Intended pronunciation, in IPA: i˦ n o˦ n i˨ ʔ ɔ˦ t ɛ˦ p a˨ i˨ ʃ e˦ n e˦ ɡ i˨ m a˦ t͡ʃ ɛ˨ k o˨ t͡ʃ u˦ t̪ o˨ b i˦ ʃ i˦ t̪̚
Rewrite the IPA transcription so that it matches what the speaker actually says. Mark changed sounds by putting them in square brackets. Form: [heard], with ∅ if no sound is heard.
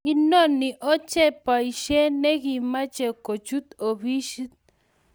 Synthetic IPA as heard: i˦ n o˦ n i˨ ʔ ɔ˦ [t͡ʃ] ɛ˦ p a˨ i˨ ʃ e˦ n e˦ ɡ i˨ m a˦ t͡ʃ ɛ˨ k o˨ t͡ʃ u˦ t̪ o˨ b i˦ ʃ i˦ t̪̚